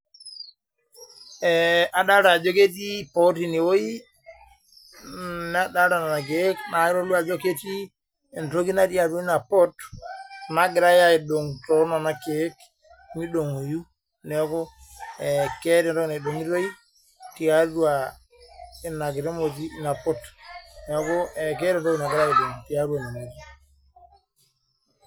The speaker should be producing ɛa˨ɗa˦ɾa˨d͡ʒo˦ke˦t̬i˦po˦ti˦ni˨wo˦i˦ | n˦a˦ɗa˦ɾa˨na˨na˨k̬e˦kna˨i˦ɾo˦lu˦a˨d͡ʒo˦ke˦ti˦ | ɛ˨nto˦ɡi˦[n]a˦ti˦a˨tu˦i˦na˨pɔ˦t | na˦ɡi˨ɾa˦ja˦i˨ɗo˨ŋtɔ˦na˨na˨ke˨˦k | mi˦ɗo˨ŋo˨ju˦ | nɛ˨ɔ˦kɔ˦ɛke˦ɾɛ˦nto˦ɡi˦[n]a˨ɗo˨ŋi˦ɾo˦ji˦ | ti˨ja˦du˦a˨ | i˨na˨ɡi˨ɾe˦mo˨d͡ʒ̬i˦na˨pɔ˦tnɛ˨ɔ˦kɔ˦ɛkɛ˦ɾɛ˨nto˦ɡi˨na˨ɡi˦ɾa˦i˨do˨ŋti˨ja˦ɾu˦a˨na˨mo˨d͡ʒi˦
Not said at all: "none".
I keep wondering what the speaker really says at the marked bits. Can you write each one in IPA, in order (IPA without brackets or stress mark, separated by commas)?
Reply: n, n